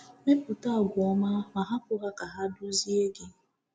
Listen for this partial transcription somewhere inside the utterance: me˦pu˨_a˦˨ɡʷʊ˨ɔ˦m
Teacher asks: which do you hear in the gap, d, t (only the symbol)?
t